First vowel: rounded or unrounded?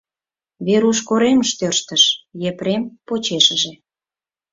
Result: unrounded